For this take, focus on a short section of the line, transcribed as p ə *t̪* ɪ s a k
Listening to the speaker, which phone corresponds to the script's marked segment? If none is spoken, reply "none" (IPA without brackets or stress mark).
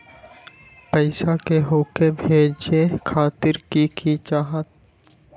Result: none